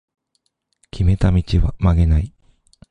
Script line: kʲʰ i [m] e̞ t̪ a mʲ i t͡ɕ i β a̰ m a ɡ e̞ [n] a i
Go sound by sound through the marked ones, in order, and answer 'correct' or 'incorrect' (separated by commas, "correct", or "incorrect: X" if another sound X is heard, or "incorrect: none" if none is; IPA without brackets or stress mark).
correct, correct